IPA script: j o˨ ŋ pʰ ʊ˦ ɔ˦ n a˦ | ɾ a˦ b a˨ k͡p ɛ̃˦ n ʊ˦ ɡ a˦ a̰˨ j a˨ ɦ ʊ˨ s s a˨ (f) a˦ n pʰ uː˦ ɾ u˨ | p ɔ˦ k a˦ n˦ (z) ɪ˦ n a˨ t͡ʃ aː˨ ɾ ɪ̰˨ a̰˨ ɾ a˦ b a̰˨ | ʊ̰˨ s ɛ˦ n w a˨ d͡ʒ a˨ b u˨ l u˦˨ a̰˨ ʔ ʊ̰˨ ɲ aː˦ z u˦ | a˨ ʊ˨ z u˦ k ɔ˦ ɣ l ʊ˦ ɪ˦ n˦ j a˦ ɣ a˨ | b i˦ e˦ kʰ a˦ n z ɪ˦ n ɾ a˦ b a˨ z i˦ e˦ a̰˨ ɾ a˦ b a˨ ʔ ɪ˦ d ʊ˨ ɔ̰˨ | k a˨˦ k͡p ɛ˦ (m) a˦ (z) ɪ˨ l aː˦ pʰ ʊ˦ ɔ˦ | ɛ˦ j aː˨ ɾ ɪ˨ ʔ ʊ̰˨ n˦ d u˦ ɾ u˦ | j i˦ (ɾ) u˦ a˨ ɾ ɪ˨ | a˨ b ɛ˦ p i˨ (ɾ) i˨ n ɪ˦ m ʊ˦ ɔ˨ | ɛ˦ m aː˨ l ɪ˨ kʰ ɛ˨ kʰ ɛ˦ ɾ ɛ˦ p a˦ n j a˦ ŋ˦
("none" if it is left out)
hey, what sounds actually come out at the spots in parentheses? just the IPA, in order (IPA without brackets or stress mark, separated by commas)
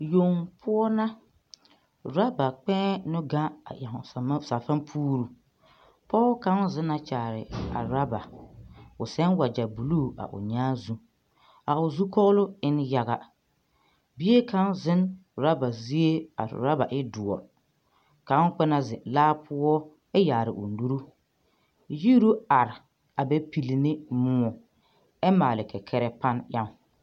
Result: f, z, n, z, ɾ, l